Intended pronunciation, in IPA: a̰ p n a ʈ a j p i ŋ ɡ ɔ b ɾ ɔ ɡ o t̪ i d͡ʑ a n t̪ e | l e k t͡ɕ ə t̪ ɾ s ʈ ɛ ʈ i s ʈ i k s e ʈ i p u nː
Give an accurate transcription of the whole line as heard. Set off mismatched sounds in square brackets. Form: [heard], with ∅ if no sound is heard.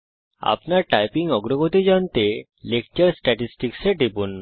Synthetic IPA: a̰ p n a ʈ a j p i ŋ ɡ ɔ [ɡ] ɾ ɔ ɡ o t̪ i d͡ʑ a n t̪ e | l e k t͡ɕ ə [∅] ɾ s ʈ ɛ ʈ i s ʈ i k s e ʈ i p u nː

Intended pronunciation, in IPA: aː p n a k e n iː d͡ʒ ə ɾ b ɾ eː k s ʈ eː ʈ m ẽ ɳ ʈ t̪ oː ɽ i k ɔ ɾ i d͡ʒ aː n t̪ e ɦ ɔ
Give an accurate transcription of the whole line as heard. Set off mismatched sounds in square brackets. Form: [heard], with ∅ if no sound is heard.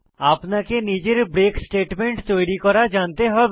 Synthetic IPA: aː p n a k e n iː d͡ʒ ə ɾ b ɾ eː k s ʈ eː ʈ m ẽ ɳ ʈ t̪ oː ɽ i k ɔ ɾ [a] d͡ʒ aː n t̪ e ɦ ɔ

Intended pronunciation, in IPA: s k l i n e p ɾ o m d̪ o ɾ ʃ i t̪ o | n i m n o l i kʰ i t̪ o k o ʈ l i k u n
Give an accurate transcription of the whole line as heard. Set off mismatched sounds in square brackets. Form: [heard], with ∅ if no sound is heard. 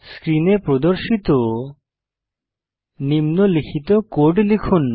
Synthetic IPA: s k [ɾ] i n e p ɾ o [∅] d̪ o ɾ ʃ i t̪ o | n i m n o l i kʰ i t̪ o k o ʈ l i [kʰ] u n

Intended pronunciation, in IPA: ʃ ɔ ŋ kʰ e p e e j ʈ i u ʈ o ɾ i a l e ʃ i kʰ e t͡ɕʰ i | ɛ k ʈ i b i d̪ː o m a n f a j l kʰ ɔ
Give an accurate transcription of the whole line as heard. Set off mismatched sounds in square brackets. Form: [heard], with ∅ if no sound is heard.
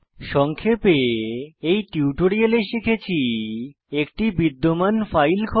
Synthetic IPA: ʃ ɔ ŋ kʰ e p e e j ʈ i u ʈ o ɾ i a l e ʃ i kʰ e t͡ɕʰ i | [e] k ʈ i b i d̪ː o m a n f a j l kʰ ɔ

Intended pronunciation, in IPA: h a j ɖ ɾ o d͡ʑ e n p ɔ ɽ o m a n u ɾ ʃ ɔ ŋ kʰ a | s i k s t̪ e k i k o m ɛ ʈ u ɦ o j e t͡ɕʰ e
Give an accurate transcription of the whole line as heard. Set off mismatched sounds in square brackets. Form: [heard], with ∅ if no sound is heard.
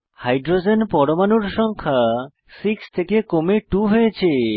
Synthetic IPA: h a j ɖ ɾ o d͡ʑ e n p ɔ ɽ o m a n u ɾ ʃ ɔ ŋ kʰ a | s i k s [t̪ʰ] e k [e] k o m [e] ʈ u ɦ o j e t͡ɕʰ e

